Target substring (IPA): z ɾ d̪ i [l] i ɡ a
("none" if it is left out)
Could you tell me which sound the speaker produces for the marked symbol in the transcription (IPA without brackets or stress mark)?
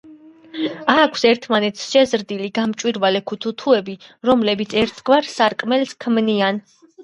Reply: l